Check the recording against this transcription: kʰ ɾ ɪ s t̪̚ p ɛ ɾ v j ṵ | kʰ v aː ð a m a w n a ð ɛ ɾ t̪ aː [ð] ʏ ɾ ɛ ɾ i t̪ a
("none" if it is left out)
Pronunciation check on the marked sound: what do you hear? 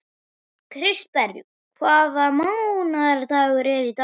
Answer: ɣ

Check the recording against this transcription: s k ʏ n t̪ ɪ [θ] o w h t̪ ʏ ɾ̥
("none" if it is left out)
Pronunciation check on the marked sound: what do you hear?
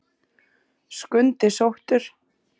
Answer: s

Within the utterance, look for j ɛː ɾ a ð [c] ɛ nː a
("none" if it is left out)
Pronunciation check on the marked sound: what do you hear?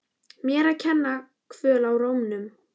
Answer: cʰ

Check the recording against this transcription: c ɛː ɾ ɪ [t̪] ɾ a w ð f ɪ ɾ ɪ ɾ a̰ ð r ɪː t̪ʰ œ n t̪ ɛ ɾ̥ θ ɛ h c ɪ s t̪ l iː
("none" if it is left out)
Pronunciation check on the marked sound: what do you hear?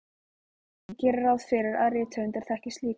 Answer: none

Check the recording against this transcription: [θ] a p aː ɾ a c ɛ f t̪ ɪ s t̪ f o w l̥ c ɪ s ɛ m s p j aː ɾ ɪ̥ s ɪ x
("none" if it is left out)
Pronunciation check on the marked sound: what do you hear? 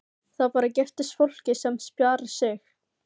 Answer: θ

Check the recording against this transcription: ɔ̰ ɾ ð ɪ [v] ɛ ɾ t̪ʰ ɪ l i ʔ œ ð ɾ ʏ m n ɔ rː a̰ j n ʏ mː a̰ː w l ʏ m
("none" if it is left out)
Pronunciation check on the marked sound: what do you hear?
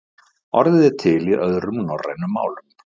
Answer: ð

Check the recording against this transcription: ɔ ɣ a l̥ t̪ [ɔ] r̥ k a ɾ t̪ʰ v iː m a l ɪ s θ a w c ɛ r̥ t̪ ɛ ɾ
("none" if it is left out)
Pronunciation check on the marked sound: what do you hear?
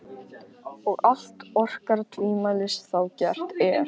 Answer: ɔ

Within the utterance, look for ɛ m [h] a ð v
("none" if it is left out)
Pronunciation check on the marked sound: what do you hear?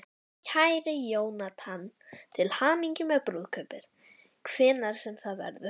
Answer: θ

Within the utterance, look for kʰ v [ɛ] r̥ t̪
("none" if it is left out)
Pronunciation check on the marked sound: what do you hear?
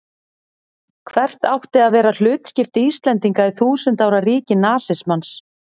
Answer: ɛ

